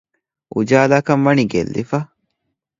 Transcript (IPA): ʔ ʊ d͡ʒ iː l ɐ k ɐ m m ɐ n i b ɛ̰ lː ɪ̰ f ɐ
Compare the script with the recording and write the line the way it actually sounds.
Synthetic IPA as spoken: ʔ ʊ d͡ʒ aː l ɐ k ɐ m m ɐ n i ɡ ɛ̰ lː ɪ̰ f ɐ